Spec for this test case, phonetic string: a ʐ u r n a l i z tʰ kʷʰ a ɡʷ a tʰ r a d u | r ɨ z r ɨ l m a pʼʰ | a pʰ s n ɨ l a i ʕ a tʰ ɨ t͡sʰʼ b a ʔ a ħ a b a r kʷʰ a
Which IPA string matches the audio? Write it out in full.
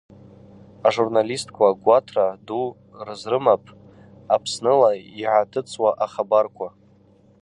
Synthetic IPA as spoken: a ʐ u r n a l i s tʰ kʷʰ a ɡʷ a tʰ r a d u | r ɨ z r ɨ m a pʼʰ | a pʰ s n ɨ l a i ʕ a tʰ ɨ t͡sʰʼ w a ʔ a χ a b a r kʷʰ a